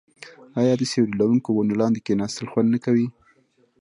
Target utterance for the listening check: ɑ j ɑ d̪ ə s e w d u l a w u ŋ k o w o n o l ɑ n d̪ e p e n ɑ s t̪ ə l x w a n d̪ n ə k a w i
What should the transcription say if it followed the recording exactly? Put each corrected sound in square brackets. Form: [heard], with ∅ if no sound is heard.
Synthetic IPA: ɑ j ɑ d̪ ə s e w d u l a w u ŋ k o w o n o l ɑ n d̪ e [k] e n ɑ s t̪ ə l x w a n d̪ n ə k a w i